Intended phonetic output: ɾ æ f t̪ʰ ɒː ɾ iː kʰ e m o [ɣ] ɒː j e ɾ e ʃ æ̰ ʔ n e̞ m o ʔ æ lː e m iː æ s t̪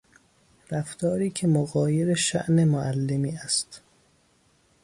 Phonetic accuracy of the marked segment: correct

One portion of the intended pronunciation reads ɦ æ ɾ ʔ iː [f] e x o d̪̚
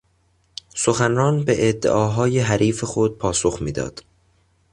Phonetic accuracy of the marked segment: correct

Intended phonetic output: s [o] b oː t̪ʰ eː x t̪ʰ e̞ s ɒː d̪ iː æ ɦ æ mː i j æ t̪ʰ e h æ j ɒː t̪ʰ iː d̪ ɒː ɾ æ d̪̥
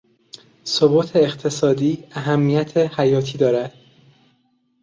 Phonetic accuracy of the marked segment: correct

